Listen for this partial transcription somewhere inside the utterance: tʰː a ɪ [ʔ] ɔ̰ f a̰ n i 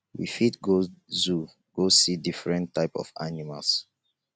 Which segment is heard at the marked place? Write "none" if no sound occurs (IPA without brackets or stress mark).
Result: p